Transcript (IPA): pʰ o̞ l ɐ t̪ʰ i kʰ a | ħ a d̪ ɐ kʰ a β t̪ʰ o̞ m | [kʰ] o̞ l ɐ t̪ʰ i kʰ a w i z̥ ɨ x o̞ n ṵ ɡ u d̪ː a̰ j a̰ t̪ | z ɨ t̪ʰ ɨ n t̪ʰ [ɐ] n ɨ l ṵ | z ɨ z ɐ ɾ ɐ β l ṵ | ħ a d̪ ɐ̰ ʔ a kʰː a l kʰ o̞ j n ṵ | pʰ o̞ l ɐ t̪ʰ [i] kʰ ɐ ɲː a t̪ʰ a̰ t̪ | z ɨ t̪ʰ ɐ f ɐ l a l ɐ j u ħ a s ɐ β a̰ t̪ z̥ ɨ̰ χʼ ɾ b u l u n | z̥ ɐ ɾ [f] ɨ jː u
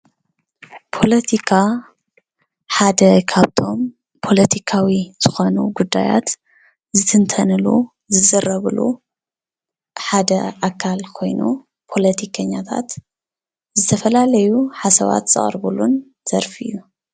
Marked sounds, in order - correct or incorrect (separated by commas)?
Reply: incorrect, correct, correct, correct